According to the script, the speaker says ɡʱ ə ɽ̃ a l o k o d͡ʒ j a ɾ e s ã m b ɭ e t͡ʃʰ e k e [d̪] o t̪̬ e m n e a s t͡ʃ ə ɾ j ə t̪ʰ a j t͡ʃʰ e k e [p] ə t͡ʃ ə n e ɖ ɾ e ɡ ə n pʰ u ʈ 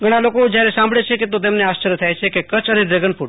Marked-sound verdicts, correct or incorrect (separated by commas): incorrect, incorrect